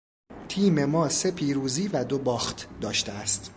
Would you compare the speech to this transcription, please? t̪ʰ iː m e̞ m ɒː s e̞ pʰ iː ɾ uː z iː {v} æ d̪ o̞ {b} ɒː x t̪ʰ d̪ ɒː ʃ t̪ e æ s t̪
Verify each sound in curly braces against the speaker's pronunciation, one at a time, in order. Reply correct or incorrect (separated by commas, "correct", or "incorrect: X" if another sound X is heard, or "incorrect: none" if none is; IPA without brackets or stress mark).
correct, correct